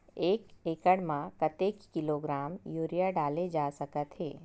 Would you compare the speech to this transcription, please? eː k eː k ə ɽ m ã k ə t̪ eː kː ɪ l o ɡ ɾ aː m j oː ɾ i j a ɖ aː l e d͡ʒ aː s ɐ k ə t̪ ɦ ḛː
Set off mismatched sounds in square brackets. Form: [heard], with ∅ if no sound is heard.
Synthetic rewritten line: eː k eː k ə ɽ m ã k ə t̪ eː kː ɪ l o ɡ ɾ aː m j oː ɾ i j a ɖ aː l e d͡ʒ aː s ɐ k ə t̪ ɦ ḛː